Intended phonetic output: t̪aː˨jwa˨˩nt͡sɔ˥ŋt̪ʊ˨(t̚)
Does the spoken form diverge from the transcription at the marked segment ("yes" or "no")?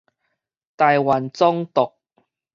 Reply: yes